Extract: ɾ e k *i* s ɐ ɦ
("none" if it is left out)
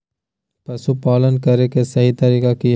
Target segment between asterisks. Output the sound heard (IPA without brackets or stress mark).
e